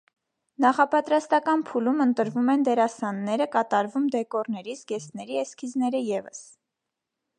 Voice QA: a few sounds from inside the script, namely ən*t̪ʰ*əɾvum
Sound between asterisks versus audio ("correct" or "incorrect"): incorrect